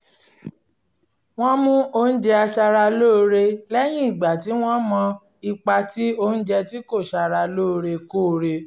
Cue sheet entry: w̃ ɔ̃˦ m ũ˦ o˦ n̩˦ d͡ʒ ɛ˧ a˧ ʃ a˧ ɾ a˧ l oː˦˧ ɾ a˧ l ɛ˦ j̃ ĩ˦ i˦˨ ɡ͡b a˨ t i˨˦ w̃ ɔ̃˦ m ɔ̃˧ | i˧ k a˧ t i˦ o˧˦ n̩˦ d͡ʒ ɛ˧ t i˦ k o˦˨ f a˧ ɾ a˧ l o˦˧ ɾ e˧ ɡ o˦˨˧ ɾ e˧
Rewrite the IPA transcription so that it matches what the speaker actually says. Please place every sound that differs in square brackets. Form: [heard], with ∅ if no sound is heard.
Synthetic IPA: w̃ ɔ̃˦ m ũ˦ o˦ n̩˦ d͡ʒ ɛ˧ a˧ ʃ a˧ ɾ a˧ l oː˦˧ ɾ [e˧] l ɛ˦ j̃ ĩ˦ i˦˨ ɡ͡b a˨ t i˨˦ w̃ ɔ̃˦ m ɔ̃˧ | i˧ [k͡p] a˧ t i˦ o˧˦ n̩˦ d͡ʒ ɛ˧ t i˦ k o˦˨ [ʃ] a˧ ɾ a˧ l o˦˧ ɾ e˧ [k] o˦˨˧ ɾ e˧